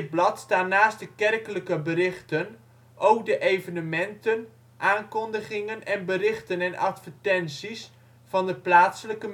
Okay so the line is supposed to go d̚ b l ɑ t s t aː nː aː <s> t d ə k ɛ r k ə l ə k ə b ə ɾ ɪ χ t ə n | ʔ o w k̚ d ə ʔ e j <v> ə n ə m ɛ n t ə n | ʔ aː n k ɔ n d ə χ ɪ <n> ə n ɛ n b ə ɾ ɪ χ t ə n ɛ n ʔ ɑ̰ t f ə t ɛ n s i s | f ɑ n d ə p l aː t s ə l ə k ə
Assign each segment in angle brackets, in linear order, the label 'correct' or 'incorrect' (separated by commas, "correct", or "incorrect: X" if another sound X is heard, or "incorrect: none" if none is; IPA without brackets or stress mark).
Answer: correct, correct, incorrect: ŋ